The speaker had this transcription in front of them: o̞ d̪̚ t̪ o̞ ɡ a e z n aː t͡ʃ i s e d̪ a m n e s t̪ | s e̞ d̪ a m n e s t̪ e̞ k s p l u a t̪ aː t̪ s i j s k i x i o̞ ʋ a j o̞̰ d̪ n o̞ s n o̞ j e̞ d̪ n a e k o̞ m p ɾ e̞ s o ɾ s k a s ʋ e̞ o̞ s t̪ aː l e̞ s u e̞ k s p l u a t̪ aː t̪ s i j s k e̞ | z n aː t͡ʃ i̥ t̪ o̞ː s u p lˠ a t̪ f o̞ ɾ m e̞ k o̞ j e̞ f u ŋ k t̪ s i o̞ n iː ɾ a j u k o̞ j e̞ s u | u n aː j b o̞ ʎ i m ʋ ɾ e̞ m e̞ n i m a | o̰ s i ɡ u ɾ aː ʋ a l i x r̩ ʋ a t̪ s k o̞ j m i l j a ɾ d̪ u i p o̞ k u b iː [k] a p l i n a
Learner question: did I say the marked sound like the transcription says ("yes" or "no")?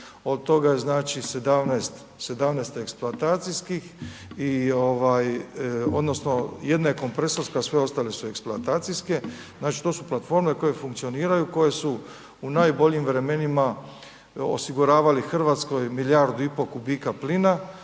yes